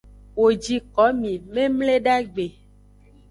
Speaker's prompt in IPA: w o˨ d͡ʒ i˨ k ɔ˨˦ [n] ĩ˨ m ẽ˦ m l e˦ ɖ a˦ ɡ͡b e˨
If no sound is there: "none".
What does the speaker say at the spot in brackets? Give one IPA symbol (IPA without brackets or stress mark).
m